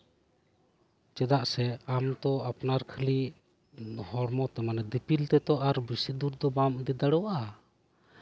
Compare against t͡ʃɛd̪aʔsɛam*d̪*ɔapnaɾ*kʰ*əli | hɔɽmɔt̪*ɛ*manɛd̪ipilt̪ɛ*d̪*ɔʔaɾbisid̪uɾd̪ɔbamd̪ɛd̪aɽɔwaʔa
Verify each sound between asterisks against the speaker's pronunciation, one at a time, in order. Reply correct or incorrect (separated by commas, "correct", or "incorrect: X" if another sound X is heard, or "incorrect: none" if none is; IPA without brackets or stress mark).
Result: incorrect: t̪, correct, correct, incorrect: t̪